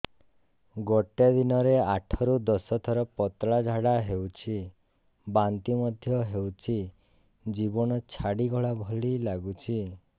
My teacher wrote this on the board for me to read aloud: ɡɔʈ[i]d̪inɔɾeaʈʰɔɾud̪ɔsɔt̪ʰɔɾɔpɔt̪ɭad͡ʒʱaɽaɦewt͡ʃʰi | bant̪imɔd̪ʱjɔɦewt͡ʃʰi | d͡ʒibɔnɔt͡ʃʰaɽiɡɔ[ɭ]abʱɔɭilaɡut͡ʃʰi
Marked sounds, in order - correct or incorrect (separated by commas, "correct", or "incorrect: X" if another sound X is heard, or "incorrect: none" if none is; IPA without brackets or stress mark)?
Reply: incorrect: e, correct